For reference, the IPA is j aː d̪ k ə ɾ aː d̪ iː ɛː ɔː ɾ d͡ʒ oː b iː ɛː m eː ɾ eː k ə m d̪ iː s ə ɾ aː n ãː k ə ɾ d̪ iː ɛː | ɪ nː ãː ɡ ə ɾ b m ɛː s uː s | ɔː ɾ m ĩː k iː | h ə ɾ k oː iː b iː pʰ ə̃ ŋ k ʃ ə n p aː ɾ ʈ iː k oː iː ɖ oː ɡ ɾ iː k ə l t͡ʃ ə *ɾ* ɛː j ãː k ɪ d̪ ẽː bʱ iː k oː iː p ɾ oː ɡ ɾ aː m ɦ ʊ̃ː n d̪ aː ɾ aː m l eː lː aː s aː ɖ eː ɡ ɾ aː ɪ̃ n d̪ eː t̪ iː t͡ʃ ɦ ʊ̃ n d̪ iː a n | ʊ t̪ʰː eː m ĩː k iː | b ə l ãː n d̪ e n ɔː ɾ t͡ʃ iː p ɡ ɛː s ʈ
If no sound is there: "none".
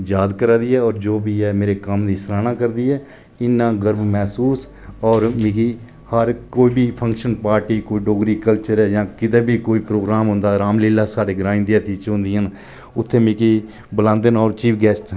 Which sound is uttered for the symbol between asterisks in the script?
ɾ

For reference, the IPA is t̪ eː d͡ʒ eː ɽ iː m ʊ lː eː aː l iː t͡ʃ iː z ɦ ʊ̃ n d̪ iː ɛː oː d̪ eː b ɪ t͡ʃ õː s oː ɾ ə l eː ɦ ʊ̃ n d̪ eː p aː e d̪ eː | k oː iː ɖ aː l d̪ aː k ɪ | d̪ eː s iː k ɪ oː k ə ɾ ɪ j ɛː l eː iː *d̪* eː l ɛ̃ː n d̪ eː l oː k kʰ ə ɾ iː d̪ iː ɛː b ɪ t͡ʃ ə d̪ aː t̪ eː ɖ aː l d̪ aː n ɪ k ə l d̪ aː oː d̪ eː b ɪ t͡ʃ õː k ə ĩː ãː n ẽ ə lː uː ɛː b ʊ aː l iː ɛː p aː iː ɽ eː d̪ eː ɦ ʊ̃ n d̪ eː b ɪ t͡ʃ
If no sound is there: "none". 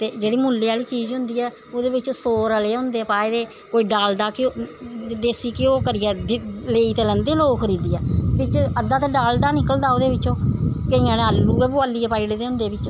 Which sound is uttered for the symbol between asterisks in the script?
t̪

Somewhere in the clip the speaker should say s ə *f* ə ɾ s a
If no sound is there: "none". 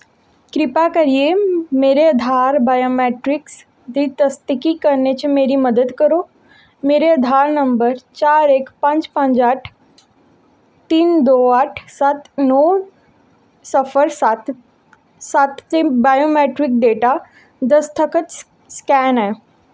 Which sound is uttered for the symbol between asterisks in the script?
f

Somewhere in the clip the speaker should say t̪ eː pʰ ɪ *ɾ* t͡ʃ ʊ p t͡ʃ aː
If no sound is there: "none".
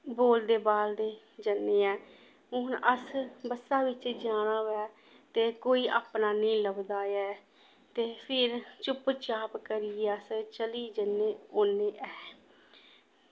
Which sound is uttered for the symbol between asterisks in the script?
ɾ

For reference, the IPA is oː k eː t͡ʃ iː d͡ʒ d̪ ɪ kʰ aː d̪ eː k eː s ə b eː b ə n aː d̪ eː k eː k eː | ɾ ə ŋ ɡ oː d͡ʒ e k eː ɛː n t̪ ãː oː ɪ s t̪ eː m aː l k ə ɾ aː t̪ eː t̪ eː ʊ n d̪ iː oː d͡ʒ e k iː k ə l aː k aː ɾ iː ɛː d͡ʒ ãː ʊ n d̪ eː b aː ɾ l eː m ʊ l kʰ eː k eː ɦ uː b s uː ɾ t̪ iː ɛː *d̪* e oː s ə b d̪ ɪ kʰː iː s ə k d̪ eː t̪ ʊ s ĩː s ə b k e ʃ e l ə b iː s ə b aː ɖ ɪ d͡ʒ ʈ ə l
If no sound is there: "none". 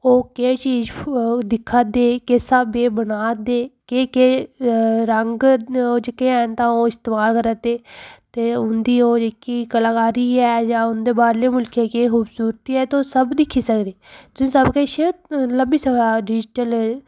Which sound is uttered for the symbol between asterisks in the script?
t̪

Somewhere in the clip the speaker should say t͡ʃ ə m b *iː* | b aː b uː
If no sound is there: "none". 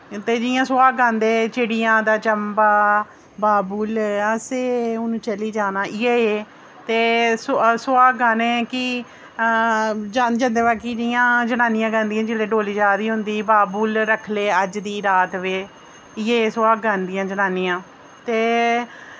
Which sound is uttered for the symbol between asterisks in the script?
aː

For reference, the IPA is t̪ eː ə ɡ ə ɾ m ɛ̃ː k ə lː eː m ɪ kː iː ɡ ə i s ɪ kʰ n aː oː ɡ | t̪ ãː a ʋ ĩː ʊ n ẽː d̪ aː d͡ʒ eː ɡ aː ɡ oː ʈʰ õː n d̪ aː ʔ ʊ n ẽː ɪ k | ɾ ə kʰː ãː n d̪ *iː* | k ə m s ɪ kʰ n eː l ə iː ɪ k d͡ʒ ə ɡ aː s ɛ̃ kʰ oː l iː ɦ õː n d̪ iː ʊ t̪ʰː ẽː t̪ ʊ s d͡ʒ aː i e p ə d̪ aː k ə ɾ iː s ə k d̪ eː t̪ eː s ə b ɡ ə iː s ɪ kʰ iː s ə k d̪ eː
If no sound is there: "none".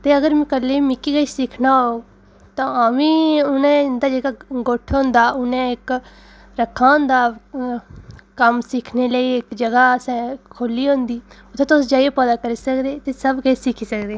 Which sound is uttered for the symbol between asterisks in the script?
aː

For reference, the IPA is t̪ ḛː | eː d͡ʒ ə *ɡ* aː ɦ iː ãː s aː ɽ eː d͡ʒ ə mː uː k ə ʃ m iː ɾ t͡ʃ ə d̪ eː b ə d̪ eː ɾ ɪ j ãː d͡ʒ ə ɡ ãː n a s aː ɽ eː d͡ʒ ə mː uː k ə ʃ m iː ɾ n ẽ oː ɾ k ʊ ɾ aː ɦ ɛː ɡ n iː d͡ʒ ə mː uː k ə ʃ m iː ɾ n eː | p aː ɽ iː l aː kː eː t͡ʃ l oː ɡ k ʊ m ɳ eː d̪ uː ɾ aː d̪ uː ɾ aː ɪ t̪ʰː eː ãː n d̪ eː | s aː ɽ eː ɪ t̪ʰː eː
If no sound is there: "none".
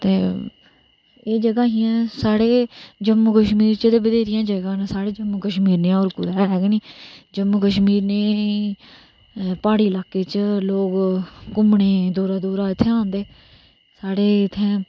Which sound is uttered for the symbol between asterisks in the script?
ɡ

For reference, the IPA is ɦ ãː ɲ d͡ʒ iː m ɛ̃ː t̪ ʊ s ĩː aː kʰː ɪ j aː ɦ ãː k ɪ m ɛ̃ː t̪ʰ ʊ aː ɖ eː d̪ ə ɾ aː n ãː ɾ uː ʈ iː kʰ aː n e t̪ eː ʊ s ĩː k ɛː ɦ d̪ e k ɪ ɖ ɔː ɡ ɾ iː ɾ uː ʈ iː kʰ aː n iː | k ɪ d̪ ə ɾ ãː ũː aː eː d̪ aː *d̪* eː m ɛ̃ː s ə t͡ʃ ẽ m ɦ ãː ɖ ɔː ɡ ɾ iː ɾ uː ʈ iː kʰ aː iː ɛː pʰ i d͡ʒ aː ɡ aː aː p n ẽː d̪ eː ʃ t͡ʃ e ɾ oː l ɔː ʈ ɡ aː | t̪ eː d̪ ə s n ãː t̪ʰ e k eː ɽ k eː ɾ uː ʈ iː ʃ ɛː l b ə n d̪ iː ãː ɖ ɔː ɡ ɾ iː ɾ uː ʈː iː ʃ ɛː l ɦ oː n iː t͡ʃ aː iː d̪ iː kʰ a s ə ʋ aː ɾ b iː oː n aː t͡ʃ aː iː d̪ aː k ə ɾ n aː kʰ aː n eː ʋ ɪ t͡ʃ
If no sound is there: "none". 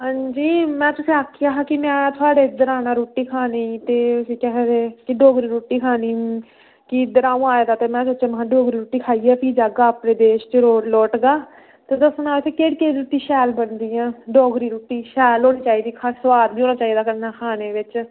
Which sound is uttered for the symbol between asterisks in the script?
t̪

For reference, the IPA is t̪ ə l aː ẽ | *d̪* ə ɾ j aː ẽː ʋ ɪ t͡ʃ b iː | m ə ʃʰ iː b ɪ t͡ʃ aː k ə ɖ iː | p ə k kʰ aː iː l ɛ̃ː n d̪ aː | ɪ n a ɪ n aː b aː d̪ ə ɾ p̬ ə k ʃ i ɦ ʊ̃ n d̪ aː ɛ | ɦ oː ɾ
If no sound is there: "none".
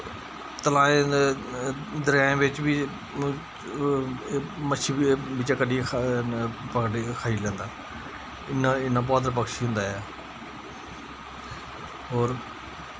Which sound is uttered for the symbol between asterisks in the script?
d̪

